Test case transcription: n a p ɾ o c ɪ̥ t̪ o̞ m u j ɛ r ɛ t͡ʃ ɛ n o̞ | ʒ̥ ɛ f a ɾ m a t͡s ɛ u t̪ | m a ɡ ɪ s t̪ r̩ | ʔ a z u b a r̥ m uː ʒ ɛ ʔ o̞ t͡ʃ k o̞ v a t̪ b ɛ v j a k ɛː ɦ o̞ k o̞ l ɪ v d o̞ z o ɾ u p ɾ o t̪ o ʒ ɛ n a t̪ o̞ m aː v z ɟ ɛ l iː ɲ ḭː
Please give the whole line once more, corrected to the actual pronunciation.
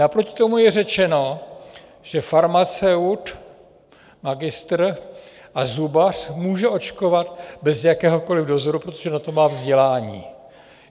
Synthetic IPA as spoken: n a p ɾ o c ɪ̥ t̪ o̞ m u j ɛ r ɛ t͡ʃ ɛ n o̞ | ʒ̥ ɛ f a ɾ m a t͡s ɛ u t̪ | m a ɡ ɪ s t̪ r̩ | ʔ a z u b a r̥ m uː ʒ ɛ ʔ o̞ t͡ʃ k o̞ v a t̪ b ɛ z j a k ɛː ɦ o̞ k o̞ l ɪ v d o̞ z o ɾ u p ɾ o t̪ o ʒ ɛ n a t̪ o̞ m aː v z ɟ ɛ l aː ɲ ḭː